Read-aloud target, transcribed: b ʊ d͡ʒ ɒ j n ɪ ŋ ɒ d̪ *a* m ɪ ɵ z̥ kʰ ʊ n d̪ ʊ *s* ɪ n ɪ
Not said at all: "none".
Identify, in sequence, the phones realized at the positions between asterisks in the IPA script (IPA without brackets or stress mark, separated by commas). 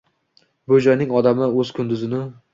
a, z